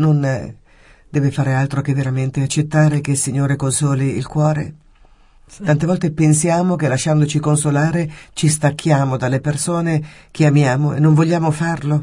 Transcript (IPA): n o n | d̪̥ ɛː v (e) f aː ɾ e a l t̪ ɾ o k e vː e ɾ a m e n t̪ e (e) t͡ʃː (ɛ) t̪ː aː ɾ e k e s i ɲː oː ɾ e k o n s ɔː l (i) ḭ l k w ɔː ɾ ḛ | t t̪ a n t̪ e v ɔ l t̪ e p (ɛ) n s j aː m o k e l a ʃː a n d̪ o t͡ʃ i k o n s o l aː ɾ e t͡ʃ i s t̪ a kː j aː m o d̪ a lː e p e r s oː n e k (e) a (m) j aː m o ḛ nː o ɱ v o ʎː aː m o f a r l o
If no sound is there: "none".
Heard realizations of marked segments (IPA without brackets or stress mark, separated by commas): e, a, e, i, e, e, m